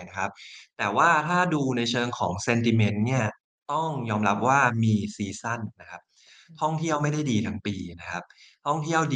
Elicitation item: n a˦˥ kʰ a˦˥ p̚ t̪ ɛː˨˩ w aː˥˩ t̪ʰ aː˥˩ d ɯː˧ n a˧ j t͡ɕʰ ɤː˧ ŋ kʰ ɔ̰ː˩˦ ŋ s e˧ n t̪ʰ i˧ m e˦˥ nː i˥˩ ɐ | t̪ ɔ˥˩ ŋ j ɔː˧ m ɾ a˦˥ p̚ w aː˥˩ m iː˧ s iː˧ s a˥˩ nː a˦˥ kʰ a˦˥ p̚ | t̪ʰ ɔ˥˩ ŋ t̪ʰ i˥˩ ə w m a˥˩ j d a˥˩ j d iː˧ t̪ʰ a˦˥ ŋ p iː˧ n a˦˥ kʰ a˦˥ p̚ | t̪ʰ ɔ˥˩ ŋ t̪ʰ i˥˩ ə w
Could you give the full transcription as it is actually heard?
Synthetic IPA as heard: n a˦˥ kʰ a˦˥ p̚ t̪ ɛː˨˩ w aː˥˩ t̪ʰ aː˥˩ d uː˧ n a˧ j t͡ɕʰ ɤː˧ ŋ kʰ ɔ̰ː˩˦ ŋ s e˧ n t̪ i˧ m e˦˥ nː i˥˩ ɐ | t̪ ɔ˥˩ ŋ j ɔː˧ m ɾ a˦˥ p̚ w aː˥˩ m iː˧ s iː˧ s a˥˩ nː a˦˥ kʰ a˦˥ p̚ | t̪ʰ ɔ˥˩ ŋ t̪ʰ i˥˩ ə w m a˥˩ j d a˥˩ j d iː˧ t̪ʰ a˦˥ ŋ p iː˧ n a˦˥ kʰ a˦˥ p̚ | t̪ʰ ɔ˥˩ ŋ t̪ʰ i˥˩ ə w